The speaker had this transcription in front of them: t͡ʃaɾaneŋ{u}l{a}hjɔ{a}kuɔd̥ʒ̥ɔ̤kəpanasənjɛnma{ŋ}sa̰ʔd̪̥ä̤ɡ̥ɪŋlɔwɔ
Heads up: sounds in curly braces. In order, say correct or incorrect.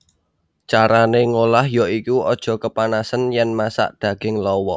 incorrect: o, correct, incorrect: i, incorrect: none

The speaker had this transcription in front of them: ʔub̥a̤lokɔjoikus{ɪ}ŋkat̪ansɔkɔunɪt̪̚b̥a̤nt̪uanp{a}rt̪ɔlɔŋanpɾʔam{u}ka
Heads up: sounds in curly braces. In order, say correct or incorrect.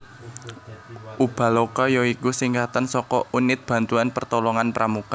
incorrect: i, incorrect: ə, correct

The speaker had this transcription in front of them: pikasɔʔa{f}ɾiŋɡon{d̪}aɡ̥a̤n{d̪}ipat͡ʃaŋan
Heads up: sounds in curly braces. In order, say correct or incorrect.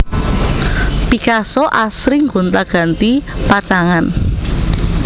incorrect: s, incorrect: t̪, incorrect: t̪

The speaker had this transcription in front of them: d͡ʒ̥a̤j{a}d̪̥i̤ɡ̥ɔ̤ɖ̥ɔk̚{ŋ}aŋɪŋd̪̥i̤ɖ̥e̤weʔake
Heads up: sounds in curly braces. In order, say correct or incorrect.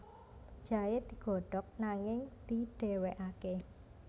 incorrect: e, incorrect: n

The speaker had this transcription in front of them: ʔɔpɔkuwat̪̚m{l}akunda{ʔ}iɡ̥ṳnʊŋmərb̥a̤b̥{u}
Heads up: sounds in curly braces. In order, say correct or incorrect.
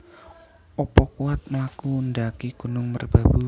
correct, incorrect: k, correct

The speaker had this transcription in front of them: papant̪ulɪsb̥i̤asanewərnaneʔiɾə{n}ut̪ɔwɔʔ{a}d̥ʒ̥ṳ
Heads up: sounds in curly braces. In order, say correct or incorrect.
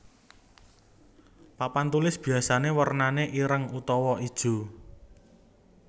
incorrect: ŋ, incorrect: i

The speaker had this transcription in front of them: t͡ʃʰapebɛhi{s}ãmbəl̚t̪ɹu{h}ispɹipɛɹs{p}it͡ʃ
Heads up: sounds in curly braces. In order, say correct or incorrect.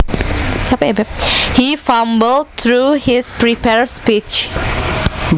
incorrect: f, correct, correct

